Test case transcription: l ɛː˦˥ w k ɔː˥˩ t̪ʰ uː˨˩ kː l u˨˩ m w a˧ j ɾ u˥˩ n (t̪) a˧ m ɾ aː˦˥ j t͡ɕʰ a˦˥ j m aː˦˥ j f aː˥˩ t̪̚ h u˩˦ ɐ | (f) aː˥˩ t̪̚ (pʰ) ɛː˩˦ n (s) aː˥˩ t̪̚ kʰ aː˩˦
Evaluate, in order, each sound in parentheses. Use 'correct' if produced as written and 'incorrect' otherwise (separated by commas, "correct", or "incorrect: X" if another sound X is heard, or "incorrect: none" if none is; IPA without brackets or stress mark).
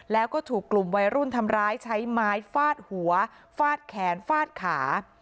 incorrect: t̪ʰ, correct, incorrect: kʰ, incorrect: f